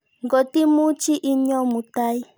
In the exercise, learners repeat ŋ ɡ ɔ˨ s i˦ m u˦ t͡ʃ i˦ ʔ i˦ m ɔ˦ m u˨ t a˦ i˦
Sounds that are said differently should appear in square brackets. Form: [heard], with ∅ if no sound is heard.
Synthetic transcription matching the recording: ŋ ɡ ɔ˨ [t] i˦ m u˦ t͡ʃ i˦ ʔ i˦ [ɲ] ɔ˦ m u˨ t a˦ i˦